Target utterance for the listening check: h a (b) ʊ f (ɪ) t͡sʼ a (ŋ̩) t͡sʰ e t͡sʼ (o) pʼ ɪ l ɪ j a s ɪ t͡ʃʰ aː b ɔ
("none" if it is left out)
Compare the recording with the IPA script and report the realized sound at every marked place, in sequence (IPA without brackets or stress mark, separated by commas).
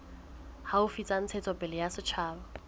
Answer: none, i, n̩, ɔ